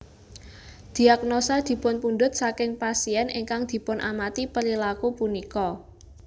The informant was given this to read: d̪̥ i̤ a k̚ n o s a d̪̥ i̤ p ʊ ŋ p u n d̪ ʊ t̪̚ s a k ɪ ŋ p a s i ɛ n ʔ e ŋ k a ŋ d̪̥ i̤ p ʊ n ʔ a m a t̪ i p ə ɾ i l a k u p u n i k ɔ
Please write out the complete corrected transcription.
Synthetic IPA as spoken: d̪̥ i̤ a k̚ n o s a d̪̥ i̤ p ʊ n p u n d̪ ʊ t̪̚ s a k ɪ ŋ p a s i ɛ n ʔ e ŋ k a ŋ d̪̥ i̤ p ʊ n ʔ a m a t̪ i p ə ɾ i l a k u p u n i k ɔ